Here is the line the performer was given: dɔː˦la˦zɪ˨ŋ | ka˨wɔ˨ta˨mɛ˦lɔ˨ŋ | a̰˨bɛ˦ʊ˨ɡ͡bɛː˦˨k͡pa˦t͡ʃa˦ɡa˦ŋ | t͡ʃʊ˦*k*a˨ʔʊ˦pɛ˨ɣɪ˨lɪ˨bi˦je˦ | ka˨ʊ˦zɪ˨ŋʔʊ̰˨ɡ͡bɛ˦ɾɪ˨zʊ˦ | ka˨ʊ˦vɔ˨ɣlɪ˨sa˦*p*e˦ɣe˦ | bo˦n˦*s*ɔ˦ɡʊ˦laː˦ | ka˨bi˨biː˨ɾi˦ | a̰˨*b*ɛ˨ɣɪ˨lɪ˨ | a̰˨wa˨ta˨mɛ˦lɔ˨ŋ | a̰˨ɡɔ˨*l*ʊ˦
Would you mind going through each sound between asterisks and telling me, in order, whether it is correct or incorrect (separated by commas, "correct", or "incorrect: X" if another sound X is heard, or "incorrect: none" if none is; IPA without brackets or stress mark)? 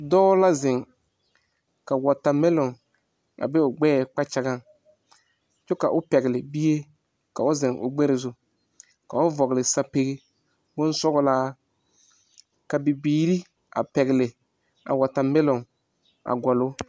correct, correct, correct, incorrect: p, correct